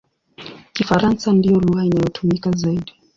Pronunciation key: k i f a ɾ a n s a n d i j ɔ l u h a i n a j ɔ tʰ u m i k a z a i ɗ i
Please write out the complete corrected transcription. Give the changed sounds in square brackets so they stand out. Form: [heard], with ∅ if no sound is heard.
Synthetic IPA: k i f a ɾ a n s a n d i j ɔ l u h a i n a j ɔ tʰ u m i k a z a i ɗ i

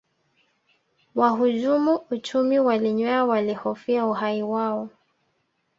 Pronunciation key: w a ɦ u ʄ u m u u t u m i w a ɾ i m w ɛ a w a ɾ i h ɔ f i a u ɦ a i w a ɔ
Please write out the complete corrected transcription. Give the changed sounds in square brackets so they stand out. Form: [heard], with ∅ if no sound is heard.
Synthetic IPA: w a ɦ u ʄ u m u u [t͡ʃ] u m i w a [l] i [ɲ] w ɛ a w a [l] i h ɔ f i a u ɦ a i w a ɔ

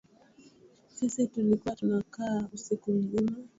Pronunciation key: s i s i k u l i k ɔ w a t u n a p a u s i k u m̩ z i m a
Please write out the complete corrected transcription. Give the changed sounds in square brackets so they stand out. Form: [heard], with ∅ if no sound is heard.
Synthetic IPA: s i s i [t] u l i k [u] w a t u n a [k] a u s i k u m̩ z i m a

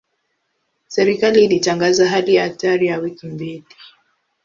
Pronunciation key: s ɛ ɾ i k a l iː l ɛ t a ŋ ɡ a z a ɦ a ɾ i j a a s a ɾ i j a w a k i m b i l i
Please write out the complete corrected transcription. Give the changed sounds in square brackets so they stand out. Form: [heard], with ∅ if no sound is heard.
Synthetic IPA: s ɛ ɾ i k a l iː l [i] t a ŋ ɡ a z a ɦ a [l] i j a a [t] a ɾ i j a w [i] k i m b i l i

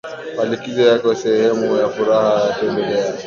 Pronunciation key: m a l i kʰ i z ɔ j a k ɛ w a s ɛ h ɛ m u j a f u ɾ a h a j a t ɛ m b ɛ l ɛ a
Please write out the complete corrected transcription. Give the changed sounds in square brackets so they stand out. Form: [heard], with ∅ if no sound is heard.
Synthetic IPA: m a l i [k] i z ɔ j a k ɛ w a s ɛ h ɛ m u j a f u ɾ a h a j a t ɛ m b ɛ l ɛ a

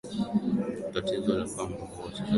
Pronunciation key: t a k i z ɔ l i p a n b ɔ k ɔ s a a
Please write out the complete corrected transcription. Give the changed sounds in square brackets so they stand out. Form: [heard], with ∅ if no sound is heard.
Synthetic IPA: t a [t] i z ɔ l [a] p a [m] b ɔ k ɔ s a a

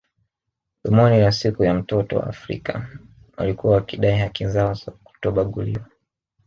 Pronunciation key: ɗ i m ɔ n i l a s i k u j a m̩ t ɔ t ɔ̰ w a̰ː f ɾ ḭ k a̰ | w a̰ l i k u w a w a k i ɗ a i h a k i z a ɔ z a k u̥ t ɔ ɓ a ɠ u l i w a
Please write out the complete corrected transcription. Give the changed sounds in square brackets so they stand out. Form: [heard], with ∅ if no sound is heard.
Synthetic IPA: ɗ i m ɔ n i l a s i k u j a m̩ t ɔ t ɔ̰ w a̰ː f ɾ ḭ k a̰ | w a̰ l i k u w a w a k i ɗ a i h a k i z a ɔ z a k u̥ t ɔ ɓ a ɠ u l i w a

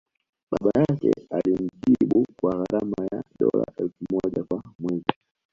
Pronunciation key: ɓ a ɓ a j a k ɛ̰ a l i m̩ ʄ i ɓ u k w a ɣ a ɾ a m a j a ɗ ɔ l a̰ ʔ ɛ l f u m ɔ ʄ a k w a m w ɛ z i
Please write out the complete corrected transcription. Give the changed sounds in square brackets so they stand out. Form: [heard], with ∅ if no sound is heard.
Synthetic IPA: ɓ a ɓ a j a k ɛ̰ a l i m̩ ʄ i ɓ u k w a ɣ a ɾ a m a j a ɗ ɔ l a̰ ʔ ɛ l f u m ɔ ʄ a k w a m w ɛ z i

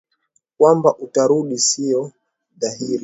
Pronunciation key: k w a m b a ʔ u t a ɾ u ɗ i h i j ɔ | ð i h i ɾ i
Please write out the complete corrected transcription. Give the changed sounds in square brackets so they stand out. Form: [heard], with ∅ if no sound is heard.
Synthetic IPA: k w a m b a ʔ u t a ɾ u ɗ i [s] i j ɔ | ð [a] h i ɾ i

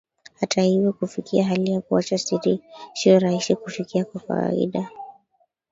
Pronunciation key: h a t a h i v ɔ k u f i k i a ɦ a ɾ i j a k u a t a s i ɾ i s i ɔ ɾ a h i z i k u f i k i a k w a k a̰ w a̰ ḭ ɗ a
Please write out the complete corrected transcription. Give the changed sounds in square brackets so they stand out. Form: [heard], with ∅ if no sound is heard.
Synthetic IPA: h a t a h i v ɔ k u f i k i a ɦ a [l] i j a k u a [t͡ʃ] a s i ɾ i s i ɔ ɾ a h i [s] i k u f i k i a k w a k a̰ w a̰ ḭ ɗ a

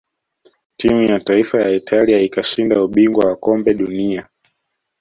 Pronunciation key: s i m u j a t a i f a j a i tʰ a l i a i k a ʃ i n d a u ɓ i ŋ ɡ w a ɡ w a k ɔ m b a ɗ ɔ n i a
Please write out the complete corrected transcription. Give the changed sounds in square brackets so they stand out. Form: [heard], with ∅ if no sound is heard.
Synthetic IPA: [t] i m u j a t a i f a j a i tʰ a l i a i k a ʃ i n d a u ɓ i ŋ ɡ w a [∅] w a k ɔ m b [ɛ] ɗ [u] n i a

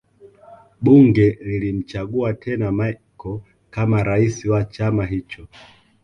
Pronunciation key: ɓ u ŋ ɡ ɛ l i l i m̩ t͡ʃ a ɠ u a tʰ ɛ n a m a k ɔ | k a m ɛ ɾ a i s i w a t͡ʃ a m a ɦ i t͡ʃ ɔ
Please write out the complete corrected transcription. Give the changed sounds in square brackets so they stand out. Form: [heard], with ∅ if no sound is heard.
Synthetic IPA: ɓ u ŋ ɡ ɛ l i l i m̩ t͡ʃ a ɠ u a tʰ ɛ n a m a k ɔ | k a m [a] ɾ a i s i w a t͡ʃ a m a ɦ i t͡ʃ ɔ

